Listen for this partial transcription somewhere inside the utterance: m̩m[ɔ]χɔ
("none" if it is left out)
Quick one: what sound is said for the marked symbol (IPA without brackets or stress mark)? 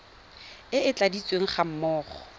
ɔː